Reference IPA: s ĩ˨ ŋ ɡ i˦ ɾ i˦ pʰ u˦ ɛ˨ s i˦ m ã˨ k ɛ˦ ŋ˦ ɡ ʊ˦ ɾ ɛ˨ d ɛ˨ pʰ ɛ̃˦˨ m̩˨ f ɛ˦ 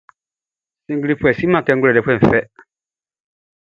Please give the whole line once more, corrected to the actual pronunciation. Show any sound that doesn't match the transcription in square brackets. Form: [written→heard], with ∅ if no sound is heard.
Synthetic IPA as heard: s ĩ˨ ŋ ɡ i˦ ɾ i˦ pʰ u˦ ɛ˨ s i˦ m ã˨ k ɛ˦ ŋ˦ ɡ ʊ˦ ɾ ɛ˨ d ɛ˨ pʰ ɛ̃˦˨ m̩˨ f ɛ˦